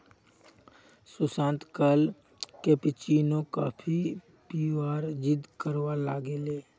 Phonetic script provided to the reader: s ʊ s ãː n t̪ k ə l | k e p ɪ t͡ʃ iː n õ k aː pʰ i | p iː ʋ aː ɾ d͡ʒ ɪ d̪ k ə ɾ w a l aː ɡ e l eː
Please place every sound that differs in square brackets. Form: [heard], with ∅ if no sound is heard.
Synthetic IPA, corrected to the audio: s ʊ s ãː n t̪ k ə l | k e p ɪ t͡ʃ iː n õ k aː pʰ i | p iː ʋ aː ɾ d͡ʒ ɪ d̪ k ə ɾ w a l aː ɡ e l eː